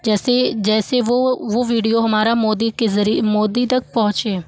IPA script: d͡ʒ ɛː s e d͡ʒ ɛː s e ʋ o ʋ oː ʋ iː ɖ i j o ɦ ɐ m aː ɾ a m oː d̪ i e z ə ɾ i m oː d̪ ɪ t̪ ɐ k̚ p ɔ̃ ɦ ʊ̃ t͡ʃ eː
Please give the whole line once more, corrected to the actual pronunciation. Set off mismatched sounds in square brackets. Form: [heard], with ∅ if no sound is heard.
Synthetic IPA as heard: d͡ʒ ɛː s e d͡ʒ ɛː s e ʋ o ʋ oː ʋ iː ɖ i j o ɦ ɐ m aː ɾ a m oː d̪ i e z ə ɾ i m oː d̪ [i] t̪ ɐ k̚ p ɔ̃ ɦ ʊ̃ t͡ʃ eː